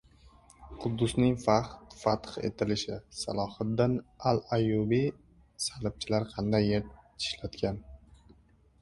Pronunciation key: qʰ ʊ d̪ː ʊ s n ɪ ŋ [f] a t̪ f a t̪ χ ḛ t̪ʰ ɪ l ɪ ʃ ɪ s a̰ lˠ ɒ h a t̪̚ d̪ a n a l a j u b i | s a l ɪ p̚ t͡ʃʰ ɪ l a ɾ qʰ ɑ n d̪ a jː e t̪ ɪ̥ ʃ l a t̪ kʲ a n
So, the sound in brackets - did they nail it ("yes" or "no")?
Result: yes